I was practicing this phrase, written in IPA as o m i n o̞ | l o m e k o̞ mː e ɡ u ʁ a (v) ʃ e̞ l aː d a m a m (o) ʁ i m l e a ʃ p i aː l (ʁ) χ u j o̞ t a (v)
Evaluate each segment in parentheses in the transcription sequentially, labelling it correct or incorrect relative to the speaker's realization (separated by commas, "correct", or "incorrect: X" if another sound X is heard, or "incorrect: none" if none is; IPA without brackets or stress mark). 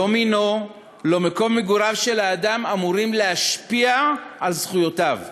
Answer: correct, incorrect: u, incorrect: z, correct